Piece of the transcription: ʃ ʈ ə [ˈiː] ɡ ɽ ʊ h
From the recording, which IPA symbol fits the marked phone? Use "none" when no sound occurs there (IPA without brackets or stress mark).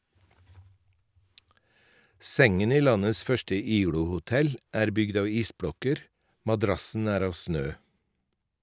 iː